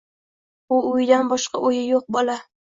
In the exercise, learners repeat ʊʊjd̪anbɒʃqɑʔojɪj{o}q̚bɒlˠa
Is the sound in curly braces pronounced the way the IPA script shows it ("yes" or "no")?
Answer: yes